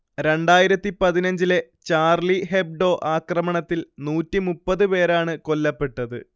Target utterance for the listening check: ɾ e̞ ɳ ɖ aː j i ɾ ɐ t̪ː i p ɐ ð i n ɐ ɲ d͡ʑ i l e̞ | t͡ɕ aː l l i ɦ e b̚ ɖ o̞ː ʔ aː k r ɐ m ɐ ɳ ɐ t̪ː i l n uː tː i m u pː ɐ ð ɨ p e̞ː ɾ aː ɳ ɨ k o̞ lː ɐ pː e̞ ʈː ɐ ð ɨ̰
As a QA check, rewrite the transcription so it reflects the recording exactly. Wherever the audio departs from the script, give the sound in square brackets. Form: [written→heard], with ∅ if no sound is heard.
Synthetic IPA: ɾ e̞ ɳ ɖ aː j i ɾ ɐ t̪ː i p ɐ ð i n ɐ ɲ d͡ʑ i l e̞ | t͡ɕ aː [l→r] l i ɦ e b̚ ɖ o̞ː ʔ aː k r ɐ m ɐ ɳ ɐ t̪ː i l n uː tː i m u pː ɐ ð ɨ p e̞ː ɾ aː ɳ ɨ k o̞ lː ɐ pː e̞ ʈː ɐ ð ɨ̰

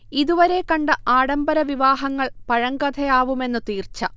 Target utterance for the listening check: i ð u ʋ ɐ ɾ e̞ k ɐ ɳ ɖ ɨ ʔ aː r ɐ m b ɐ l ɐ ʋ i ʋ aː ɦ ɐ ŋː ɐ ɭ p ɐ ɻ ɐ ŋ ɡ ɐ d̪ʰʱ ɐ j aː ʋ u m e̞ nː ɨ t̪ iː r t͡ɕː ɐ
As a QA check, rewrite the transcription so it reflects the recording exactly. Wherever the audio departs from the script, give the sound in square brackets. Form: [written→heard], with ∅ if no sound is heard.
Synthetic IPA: i ð u ʋ ɐ ɾ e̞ k ɐ ɳ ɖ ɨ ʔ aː [r→ɽ] ɐ m b ɐ [l→ɾ] ɐ ʋ i ʋ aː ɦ ɐ ŋː ɐ ɭ p ɐ ɻ ɐ ŋ ɡ ɐ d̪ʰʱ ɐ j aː ʋ u m e̞ nː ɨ t̪ iː r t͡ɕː ɐ

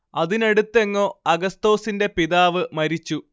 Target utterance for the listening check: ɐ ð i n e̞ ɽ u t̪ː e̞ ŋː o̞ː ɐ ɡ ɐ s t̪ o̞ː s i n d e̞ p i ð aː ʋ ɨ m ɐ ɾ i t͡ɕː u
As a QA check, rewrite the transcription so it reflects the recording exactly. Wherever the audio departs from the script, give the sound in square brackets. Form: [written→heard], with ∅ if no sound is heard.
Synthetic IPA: ɐ ð i n e̞ ɽ u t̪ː e̞ ŋː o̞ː ɐ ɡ ɐ s t̪ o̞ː s i n d e̞ p i ð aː ʋ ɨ m ɐ ɾ i t͡ɕː u

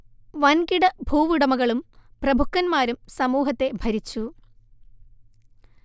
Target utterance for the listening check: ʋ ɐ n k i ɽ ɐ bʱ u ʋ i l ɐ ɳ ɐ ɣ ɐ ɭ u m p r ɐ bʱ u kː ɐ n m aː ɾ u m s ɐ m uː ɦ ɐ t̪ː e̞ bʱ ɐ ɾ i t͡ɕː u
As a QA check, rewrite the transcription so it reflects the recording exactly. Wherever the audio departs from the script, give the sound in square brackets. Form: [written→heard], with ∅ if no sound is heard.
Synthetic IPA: ʋ ɐ n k i ɽ ɐ bʱ [u→uː] ʋ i [l→ɽ] ɐ [ɳ→m] ɐ ɣ ɐ ɭ u m p r ɐ bʱ u kː ɐ n m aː ɾ u m s ɐ m uː ɦ ɐ t̪ː e̞ bʱ ɐ ɾ i t͡ɕː u

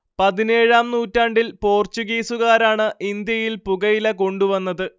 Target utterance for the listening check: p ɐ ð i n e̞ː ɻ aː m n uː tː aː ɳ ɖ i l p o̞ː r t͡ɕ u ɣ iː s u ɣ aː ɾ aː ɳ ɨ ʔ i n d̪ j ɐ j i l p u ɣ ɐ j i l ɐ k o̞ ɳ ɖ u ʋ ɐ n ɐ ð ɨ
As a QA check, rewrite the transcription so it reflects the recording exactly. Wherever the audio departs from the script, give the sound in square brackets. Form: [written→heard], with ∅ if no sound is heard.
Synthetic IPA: p ɐ ð i n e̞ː ɻ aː m n uː tː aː ɳ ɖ i l p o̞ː r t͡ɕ u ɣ iː s u ɣ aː ɾ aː ɳ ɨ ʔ i n d̪ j ɐ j i l p u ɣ ɐ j i l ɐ k o̞ ɳ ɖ u ʋ ɐ [n→nː] ɐ ð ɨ

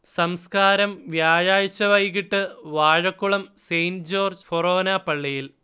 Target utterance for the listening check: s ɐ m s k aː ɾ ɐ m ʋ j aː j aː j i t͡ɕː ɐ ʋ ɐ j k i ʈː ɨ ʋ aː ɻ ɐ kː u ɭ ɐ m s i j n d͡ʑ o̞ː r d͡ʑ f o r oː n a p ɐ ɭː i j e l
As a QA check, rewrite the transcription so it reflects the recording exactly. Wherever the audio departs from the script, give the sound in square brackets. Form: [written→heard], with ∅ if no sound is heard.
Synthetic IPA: s ɐ m s k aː ɾ ɐ m ʋ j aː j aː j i t͡ɕː ɐ ʋ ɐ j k i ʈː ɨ ʋ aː ɻ ɐ kː u ɭ ɐ m s [i→e] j n d͡ʑ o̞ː r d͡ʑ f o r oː n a p ɐ ɭː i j [e→i] l

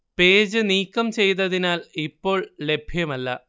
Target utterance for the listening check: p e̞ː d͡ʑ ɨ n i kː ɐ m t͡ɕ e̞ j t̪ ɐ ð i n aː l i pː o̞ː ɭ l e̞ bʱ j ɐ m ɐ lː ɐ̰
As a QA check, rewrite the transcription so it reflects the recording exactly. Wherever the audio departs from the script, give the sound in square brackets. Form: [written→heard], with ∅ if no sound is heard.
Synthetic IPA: p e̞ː d͡ʑ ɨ n [i→iː] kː ɐ m t͡ɕ e̞ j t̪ ɐ ð i n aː l i pː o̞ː ɭ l e̞ bʱ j ɐ m ɐ lː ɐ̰

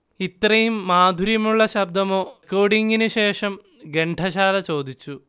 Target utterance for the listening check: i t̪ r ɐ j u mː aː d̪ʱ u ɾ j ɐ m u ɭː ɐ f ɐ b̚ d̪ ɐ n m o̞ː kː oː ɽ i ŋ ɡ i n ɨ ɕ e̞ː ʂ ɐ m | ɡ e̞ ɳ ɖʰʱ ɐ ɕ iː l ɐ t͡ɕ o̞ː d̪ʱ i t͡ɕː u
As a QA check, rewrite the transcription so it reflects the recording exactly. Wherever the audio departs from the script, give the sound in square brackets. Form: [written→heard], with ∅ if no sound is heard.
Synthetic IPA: i t̪ r ɐ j u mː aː d̪ʱ u ɾ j ɐ m u ɭː ɐ [f→ɕ] ɐ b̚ d̪ ɐ [n→∅] m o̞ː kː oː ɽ i ŋ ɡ i n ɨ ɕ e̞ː ʂ ɐ m | ɡ e̞ ɳ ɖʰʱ ɐ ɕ [iː→aː] l ɐ t͡ɕ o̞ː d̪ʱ i t͡ɕː u

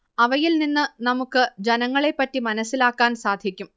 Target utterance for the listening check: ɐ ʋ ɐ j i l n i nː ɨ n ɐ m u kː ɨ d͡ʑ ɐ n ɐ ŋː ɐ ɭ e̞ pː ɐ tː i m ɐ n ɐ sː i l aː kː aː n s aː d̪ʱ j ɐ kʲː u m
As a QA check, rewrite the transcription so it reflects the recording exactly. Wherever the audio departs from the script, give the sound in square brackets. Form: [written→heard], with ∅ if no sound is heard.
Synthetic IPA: ɐ ʋ ɐ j i l n i nː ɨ n ɐ m u kː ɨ d͡ʑ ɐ n ɐ ŋː ɐ ɭ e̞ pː ɐ tː i m ɐ n ɐ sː i l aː kː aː n s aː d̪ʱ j ɐ kʲː u m

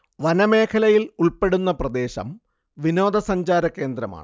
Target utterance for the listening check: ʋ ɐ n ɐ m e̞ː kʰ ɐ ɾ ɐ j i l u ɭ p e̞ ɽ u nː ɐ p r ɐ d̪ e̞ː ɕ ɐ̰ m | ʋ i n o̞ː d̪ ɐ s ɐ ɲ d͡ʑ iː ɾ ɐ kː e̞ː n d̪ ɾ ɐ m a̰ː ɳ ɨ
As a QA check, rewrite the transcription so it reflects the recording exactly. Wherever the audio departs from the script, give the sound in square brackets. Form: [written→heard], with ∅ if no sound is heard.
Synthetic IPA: ʋ ɐ n ɐ m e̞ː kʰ ɐ [ɾ→l] ɐ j i l u ɭ p e̞ ɽ u nː ɐ p r ɐ d̪ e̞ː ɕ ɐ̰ m | ʋ i n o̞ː d̪ ɐ s ɐ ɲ d͡ʑ [iː→aː] ɾ ɐ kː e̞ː n d̪ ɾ ɐ m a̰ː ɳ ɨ

